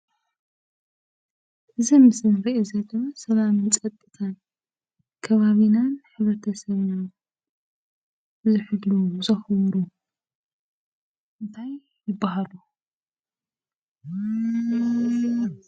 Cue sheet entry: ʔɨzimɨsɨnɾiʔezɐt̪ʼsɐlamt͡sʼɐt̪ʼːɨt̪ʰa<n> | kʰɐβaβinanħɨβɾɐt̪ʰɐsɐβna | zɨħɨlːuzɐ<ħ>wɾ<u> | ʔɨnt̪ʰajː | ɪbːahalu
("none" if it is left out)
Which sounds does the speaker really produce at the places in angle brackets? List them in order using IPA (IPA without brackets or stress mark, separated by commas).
n, x, u